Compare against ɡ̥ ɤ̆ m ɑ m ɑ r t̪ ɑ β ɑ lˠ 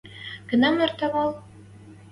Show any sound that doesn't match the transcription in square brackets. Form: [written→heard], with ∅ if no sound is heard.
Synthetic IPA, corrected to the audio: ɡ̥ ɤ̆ [m→n] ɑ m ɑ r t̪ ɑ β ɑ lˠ